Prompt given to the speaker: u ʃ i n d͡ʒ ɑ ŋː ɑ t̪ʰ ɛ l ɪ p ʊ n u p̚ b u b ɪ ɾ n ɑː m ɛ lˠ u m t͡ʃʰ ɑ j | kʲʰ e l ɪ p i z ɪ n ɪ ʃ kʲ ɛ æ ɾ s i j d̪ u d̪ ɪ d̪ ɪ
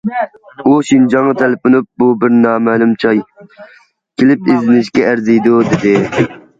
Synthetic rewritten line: u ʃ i n d͡ʒ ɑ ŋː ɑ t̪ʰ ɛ l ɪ p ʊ n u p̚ b u b ɪ ɾ n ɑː m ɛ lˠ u m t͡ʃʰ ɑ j | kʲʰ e l ɪ p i z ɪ n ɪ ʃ kʲ ɛ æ ɾ z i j d̪ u d̪ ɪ d̪ ɪ